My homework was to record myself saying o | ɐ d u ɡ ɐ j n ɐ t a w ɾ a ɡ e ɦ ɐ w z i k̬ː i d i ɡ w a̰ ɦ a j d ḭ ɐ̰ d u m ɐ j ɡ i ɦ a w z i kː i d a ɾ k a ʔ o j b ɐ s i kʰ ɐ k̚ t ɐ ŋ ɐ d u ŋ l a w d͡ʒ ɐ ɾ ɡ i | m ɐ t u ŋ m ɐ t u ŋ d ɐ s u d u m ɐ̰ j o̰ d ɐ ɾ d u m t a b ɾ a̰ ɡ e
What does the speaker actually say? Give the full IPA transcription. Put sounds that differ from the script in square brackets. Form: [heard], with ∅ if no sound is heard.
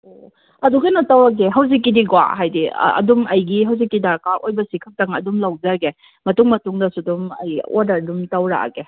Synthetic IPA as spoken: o | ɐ d u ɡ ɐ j n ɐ t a w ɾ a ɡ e ɦ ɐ w z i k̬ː i d i ɡ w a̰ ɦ a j d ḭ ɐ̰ d u m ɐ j ɡ i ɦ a w z i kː i d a ɾ k a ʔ o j b ɐ s i kʰ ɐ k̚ t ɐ ŋ ɐ d u [m] l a w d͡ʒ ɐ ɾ ɡ [e] | m ɐ t u ŋ m ɐ t u ŋ d ɐ s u d u m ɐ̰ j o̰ d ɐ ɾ d u m t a [w] ɾ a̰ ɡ e

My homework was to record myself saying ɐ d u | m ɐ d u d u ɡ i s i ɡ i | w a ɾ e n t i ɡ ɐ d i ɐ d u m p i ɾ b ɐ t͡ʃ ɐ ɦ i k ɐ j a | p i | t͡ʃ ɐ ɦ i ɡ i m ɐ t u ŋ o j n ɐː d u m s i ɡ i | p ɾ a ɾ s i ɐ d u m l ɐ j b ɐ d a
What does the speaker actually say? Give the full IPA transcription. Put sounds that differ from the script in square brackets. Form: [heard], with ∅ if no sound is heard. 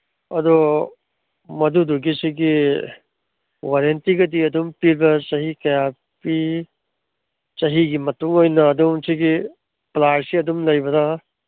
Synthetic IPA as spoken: ɐ d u | m ɐ d u d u ɡ i s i ɡ i | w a ɾ e n t i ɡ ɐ d i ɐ d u m p i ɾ b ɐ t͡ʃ ɐ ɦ i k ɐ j a | p i | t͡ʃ ɐ ɦ i ɡ i m ɐ t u ŋ o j n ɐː d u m s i ɡ i | p [l] a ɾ s i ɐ d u m l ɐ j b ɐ d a

